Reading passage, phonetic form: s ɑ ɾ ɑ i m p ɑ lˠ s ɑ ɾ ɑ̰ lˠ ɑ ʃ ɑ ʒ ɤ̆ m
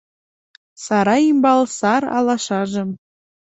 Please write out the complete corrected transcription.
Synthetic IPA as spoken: s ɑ ɾ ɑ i m b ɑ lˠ s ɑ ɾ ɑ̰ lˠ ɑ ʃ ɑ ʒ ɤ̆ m